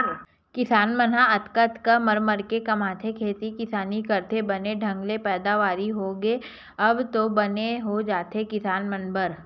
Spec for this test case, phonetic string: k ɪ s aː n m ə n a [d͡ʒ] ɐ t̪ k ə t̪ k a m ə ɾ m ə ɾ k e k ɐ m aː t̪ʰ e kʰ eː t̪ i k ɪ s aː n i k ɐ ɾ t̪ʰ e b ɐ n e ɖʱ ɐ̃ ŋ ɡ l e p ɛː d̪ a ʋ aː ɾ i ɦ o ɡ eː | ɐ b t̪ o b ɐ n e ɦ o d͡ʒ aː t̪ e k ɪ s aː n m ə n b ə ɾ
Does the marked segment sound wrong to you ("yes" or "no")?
yes